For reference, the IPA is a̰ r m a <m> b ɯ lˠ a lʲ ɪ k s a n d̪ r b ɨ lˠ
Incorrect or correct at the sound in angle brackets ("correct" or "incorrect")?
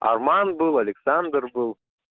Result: incorrect